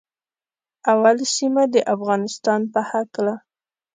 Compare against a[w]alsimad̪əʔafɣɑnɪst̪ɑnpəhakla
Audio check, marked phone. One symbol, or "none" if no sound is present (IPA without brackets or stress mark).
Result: w